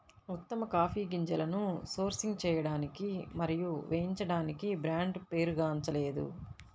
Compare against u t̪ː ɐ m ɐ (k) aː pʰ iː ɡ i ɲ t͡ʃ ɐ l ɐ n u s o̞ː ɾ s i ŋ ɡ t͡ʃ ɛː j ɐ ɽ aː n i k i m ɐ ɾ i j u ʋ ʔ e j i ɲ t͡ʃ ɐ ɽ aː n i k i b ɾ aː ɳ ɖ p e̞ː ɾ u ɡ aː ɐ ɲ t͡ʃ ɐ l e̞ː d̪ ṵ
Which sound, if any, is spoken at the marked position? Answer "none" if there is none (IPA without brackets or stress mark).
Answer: k